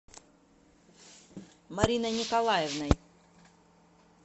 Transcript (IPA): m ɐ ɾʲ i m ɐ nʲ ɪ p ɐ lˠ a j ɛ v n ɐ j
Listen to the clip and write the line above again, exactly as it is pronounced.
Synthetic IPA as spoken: m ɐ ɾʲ i n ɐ nʲ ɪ k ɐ lˠ a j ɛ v n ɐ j